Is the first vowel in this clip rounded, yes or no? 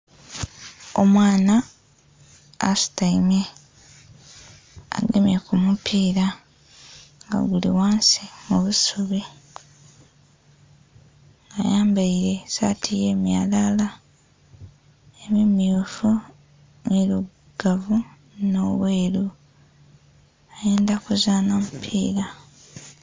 yes